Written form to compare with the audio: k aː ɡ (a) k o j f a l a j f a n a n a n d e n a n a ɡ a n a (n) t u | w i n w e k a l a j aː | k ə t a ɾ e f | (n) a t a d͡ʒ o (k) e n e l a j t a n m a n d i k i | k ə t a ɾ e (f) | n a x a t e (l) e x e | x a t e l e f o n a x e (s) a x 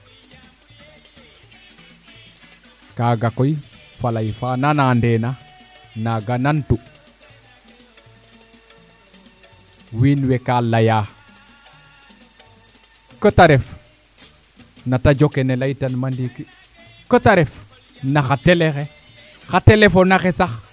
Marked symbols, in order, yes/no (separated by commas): yes, yes, yes, yes, yes, yes, yes